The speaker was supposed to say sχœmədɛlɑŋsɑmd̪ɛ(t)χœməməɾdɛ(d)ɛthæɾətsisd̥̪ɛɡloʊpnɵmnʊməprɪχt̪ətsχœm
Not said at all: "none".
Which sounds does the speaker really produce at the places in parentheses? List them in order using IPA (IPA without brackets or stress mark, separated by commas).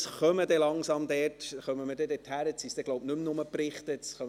t, d